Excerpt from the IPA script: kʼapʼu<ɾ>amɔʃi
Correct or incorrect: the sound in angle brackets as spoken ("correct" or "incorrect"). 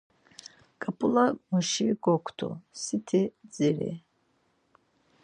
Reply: incorrect